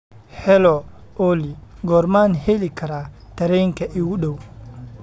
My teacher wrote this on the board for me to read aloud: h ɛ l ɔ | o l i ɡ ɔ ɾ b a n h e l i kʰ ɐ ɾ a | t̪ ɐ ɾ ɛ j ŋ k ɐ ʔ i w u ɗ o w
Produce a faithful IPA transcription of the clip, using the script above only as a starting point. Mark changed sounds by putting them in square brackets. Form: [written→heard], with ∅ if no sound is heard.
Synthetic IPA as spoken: h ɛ l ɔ | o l i ɡ ɔ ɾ [b→m] a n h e l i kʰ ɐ ɾ a | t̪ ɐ ɾ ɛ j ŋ k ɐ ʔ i w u ɗ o w